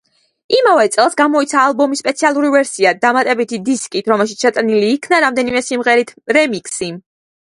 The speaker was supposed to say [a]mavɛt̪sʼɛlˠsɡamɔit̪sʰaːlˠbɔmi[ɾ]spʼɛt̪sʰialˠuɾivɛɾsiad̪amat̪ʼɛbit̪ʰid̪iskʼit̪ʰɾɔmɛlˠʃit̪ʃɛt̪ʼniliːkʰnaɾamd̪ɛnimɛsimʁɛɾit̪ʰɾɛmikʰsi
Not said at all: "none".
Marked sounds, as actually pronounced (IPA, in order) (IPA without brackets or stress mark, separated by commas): i, none